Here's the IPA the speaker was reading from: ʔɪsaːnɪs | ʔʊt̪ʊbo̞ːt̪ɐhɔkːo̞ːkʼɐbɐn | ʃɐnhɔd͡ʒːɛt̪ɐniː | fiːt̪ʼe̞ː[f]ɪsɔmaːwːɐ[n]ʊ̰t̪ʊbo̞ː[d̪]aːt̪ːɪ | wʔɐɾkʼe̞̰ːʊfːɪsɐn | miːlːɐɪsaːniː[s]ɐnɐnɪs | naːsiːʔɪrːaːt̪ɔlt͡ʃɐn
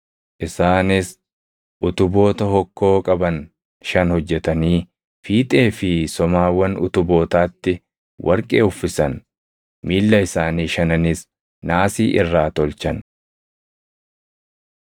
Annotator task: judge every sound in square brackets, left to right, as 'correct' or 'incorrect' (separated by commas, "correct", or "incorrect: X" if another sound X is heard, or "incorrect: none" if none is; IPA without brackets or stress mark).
correct, correct, incorrect: t̪, incorrect: ʃ